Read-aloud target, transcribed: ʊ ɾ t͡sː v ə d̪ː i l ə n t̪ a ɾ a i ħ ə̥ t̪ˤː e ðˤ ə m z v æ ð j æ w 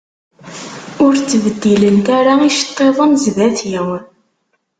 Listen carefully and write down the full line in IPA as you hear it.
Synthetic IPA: ʊ ɾ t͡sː v ə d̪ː i l ə n t̪ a ɾ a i ʃ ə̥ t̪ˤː e ðˤ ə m z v æ θ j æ w